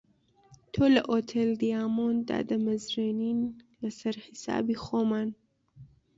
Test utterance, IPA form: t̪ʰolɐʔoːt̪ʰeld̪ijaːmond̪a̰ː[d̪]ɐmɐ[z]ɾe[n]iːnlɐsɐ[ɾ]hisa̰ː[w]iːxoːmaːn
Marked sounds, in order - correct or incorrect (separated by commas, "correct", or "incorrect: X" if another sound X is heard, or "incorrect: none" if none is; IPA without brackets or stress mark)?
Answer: correct, correct, correct, correct, incorrect: b